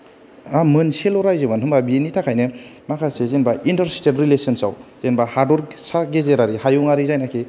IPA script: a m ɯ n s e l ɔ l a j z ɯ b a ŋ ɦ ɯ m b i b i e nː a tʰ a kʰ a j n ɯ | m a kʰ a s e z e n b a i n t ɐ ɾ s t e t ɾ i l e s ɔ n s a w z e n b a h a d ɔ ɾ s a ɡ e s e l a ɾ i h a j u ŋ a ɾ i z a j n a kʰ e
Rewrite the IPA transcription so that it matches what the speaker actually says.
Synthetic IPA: a m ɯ n s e l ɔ ɾ a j z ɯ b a n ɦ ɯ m b a b i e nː i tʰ a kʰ a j n ɯ | m a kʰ a s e z e n b a i n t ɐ ɾ s t e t ɾ i l e s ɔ n s a w z e n b a h a d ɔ ɾ s a ɡ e z e ɾ a ɾ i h a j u ŋ a ɾ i z a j n a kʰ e